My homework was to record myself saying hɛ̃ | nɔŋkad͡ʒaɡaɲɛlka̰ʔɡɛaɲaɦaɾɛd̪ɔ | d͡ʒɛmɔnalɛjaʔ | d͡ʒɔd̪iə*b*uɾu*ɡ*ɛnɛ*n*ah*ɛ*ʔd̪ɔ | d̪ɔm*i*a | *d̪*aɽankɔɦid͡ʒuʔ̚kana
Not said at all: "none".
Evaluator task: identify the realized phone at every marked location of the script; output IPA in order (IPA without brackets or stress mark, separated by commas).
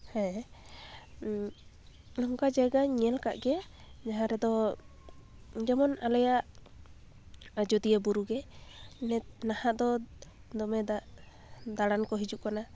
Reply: b, ɡ, n, a, ɛ, d̪